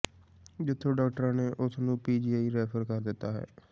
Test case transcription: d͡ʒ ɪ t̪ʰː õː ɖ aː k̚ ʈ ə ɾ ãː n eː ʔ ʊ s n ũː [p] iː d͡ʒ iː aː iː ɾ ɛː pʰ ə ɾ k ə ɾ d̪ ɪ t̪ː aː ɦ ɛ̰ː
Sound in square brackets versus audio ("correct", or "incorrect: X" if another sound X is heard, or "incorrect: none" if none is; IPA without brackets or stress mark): correct